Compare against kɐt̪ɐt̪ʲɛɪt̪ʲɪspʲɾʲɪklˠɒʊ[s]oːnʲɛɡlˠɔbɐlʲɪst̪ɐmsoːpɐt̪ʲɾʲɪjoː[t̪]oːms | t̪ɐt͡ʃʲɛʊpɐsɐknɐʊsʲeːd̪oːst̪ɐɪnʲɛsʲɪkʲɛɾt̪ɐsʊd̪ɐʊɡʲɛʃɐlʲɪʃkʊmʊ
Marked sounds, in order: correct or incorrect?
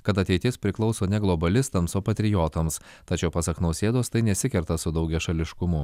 correct, correct

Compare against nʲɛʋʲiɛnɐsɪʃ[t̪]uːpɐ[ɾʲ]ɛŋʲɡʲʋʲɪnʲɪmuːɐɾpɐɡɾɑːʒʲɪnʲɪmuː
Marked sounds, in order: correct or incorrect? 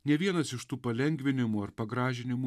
correct, incorrect: lʲ

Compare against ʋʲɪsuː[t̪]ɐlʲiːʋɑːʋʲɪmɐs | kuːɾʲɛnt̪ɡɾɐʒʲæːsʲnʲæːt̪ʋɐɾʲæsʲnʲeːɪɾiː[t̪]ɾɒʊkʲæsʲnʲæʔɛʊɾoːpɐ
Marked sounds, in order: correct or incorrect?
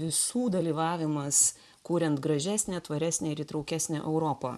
incorrect: d̪, correct

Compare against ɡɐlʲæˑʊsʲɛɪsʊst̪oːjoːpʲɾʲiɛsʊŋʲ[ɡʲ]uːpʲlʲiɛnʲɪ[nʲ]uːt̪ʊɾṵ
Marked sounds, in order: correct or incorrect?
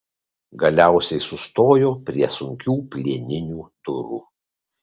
incorrect: kʲ, correct

